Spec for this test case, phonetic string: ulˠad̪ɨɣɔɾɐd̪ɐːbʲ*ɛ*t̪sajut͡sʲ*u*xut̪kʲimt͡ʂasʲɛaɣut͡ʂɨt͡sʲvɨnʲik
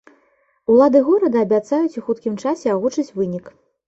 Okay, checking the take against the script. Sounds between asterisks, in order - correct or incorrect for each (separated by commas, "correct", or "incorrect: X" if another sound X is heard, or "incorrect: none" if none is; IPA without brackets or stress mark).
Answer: incorrect: a, correct